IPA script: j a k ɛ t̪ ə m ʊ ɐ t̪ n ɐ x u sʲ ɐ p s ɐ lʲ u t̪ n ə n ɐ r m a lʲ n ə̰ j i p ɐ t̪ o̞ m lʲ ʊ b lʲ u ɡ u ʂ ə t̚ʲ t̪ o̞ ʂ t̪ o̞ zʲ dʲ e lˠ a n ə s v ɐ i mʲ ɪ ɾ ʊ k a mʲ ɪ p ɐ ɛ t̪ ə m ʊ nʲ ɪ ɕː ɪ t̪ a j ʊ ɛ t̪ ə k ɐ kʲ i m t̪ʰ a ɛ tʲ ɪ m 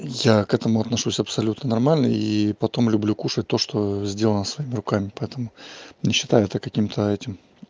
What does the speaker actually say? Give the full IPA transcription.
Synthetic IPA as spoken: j a k ɛ t̪ ə m ʊ ɐ t̪ n ɐ ʂ u sʲ ɐ p s ɐ lʲ u t̪ n ə n ɐ r m a lʲ n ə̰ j i p ɐ t̪ o̞ m lʲ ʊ b lʲ u k u ʂ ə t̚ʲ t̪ o̞ ʂ t̪ o̞ zʲ dʲ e lˠ ə n ə s v ɐ i mʲ ɪ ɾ ʊ k a mʲ ɪ p ɐ ɛ t̪ ə m ʊ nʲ ɪ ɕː ɪ t̪ a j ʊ ɛ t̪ ə k ɐ kʲ i m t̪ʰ ə ɛ tʲ ɪ m